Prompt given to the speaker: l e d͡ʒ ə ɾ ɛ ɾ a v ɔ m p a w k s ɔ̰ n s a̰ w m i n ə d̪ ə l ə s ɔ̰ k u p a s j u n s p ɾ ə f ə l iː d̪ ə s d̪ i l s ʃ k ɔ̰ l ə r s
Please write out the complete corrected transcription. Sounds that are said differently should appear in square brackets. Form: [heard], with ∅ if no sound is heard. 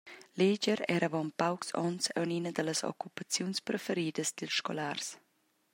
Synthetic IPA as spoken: l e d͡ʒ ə ɾ ɛ ɾ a v ɔ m p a w k s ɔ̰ n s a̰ w [n] i n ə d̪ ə l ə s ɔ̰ k u p a [t͡s] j u n s p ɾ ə f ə [ɾ] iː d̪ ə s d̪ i l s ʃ k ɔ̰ l [a] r s